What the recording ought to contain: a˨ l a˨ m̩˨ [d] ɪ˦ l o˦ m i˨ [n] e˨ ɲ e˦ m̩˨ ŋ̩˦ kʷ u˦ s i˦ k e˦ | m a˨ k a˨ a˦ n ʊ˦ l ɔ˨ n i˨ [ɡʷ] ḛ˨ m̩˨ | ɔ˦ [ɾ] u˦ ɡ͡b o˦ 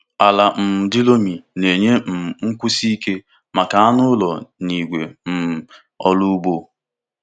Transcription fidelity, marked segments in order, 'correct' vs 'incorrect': correct, correct, correct, incorrect: l

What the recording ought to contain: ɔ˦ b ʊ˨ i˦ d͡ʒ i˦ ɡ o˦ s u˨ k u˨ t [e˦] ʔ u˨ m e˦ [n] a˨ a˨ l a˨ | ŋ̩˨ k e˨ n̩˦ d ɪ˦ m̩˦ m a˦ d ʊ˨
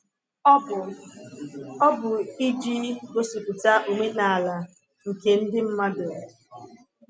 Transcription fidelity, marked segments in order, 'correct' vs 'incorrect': incorrect: a˦, correct

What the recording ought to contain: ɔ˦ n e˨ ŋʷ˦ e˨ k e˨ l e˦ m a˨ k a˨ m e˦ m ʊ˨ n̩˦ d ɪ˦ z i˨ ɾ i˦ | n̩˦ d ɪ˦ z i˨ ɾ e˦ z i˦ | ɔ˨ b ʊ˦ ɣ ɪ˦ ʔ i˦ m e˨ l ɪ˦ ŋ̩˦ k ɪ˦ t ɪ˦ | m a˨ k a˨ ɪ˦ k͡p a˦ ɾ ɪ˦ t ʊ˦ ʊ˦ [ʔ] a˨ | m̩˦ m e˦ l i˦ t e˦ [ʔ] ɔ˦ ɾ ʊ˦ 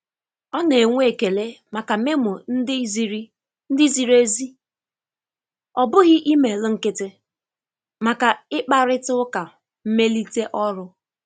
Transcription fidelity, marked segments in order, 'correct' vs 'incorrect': incorrect: k, correct

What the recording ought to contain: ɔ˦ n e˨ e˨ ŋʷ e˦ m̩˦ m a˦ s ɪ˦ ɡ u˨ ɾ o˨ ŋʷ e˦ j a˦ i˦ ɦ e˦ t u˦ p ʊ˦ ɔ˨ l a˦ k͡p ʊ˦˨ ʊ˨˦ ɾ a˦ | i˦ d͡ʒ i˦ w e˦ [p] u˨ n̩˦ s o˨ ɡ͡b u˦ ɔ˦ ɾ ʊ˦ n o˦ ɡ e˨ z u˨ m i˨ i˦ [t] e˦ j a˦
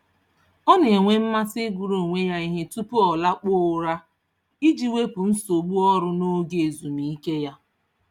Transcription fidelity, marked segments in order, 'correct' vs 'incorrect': correct, incorrect: k

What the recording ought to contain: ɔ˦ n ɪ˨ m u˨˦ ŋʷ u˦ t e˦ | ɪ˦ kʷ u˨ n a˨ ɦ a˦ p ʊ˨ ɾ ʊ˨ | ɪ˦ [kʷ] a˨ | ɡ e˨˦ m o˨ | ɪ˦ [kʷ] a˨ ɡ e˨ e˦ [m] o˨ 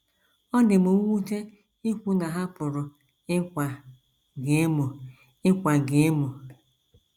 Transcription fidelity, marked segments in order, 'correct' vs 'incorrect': correct, correct, correct

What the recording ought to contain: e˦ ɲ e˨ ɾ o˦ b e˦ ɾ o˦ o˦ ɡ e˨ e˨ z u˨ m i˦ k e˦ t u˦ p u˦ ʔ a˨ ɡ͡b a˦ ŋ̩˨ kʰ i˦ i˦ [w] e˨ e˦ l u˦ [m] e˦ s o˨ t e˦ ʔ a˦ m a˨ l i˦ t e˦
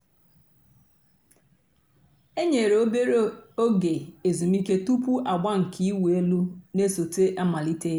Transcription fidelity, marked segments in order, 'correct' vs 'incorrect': correct, incorrect: n

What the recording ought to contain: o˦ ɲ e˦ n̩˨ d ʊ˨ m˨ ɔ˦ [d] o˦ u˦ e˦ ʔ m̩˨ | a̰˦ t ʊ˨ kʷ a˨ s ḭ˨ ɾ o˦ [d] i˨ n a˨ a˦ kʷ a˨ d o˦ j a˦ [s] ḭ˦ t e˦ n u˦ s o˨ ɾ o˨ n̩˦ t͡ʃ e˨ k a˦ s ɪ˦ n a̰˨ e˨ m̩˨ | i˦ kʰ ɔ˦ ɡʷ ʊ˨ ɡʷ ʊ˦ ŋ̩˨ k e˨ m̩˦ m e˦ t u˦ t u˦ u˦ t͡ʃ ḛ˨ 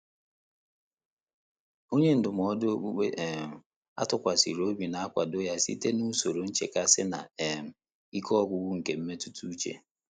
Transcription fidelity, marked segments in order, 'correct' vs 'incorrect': correct, incorrect: b, correct

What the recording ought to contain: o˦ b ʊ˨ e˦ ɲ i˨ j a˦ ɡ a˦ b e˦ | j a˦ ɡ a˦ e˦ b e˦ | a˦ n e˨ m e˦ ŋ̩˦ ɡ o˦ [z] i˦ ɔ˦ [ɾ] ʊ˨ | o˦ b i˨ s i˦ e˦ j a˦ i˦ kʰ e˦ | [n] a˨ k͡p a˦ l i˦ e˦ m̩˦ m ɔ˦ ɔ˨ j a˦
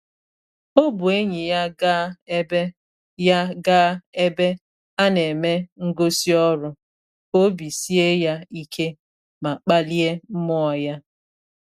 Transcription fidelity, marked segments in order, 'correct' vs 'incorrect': incorrect: s, correct, incorrect: m

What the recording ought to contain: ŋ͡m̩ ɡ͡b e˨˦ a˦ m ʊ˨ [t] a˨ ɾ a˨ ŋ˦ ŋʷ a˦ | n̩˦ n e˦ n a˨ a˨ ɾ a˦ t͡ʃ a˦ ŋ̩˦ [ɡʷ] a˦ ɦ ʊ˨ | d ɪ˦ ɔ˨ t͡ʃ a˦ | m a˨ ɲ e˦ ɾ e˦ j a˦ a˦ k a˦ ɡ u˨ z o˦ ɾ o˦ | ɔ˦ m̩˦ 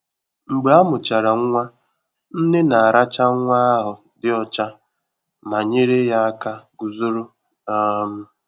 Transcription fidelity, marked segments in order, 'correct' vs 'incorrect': incorrect: t͡ʃ, incorrect: ŋʷ

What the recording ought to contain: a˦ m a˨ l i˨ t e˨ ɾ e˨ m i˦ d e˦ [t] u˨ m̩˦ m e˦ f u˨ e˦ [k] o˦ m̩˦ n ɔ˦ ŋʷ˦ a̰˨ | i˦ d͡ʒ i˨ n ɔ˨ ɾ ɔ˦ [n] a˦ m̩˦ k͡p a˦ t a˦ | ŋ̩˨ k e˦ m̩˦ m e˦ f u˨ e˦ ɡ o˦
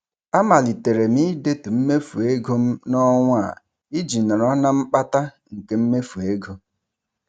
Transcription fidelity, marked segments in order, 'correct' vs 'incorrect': correct, incorrect: ɡ, correct

